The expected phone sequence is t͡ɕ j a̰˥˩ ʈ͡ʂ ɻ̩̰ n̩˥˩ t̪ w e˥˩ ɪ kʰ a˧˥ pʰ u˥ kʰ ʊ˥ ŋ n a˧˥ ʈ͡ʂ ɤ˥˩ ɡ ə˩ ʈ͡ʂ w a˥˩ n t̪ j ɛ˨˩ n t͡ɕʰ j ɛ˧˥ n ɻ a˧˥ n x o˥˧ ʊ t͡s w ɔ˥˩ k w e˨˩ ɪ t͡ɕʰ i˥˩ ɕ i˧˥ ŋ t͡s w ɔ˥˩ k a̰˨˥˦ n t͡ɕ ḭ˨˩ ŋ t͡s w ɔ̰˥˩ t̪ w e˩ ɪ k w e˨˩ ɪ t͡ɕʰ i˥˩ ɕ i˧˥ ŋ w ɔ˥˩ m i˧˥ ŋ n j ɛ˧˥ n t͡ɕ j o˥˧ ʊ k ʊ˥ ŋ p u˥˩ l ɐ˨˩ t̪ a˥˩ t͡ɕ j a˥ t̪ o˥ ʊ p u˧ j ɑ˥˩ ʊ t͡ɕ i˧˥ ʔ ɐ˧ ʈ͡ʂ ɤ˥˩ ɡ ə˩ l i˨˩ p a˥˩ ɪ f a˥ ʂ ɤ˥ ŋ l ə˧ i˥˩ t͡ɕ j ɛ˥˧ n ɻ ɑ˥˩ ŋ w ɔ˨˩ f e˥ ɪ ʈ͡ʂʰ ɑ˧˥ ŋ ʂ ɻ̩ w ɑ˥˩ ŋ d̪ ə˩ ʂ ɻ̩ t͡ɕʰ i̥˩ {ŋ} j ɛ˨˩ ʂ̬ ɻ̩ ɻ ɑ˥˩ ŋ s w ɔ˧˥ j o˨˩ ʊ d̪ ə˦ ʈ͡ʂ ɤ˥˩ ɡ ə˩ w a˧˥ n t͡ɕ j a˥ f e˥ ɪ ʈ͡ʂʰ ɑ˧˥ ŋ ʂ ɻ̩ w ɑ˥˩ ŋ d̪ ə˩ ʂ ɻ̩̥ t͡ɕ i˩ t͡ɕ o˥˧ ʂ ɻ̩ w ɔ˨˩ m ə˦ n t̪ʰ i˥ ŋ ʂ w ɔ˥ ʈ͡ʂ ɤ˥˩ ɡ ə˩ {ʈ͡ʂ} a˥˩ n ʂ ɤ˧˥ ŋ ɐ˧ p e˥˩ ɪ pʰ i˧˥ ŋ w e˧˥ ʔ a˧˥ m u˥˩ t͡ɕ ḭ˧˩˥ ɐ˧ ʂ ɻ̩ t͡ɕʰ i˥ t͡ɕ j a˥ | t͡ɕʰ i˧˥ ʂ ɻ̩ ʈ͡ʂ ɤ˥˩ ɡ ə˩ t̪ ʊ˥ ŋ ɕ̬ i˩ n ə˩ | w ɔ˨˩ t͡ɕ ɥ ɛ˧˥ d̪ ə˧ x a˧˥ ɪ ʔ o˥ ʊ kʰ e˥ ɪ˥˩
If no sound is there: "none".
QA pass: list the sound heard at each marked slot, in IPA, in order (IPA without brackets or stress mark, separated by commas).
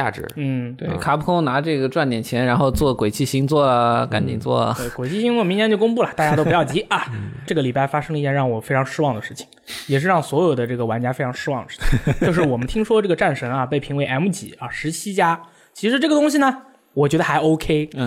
ŋ, ʈ͡ʂ